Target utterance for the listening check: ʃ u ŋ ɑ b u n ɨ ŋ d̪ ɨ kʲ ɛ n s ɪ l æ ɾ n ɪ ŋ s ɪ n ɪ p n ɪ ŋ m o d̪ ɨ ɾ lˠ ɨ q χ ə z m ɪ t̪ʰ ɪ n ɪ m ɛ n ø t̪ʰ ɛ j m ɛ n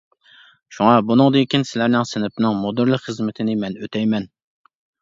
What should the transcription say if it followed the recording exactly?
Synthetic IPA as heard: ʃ u ŋ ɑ b u n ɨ ŋ d̪ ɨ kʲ i n s ɪ l æ ɾ n ɪ ŋ s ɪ n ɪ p n ɪ ŋ m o d̪ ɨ ɾ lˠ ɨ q χ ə z m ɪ t̪ʰ ɪ n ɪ m ɛ n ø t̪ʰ ɛ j m ɛ n